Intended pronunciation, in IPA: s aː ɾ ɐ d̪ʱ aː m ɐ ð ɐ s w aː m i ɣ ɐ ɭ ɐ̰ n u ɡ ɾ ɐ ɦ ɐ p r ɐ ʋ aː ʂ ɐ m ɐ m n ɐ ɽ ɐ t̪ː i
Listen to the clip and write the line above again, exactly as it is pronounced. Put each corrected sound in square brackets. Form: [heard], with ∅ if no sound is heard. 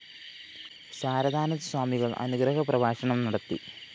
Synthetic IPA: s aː ɾ ɐ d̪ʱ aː [n] ɐ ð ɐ s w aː m i ɣ ɐ ɭ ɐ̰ n u ɡ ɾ ɐ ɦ ɐ p r ɐ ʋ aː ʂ ɐ [ɳ] ɐ m n ɐ ɽ ɐ t̪ː i